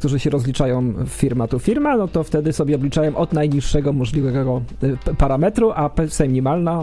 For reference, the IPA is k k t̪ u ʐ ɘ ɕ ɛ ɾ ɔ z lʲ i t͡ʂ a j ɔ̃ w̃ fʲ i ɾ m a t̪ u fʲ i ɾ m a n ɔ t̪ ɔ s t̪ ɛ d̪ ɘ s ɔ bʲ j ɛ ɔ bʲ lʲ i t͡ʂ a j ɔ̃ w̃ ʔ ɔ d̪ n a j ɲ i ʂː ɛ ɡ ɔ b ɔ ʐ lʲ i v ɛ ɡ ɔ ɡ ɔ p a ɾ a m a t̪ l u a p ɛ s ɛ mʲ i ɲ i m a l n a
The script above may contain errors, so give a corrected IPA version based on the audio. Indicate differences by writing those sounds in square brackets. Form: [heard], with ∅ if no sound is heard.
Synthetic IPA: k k t̪ u ʐ ɘ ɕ ɛ ɾ ɔ z lʲ i t͡ʂ a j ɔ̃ w̃ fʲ i ɾ m a t̪ u fʲ i ɾ m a n ɔ t̪ ɔ [f] t̪ ɛ d̪ ɘ s ɔ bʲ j ɛ ɔ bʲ lʲ i t͡ʂ a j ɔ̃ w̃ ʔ ɔ d̪ n a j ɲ i ʂː ɛ ɡ ɔ [m] ɔ ʐ lʲ i v ɛ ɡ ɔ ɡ ɔ p a ɾ a m [ɛ] t̪ [ɾ] u a p ɛ s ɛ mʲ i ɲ i m a l n a